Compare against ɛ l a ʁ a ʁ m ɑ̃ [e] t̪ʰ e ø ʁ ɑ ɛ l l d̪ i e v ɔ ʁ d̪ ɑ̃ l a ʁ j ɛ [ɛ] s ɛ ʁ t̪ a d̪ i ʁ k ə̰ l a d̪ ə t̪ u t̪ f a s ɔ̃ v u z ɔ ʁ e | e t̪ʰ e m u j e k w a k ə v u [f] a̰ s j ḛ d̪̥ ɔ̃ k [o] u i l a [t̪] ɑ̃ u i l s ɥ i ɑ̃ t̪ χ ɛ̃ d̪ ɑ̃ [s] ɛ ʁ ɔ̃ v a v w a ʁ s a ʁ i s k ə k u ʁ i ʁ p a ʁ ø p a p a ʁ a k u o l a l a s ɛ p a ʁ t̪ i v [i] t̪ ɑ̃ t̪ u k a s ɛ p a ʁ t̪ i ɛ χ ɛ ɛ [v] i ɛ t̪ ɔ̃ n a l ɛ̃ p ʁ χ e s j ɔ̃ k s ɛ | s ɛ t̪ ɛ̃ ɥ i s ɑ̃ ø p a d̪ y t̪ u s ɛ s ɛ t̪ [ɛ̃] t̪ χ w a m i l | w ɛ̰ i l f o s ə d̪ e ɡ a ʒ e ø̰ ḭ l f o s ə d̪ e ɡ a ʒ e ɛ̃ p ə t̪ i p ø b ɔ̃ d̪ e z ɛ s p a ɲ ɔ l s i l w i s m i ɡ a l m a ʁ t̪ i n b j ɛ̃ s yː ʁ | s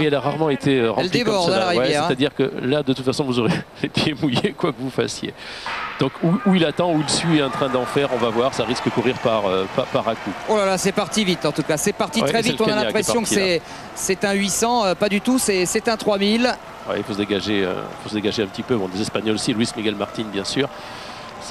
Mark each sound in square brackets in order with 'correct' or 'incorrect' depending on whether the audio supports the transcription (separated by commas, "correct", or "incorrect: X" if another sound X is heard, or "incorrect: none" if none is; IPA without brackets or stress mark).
correct, correct, correct, incorrect: u, correct, incorrect: f, correct, correct, correct